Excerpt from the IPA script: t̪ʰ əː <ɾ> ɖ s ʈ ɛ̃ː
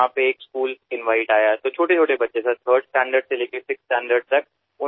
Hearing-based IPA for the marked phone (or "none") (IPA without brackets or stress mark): ɾ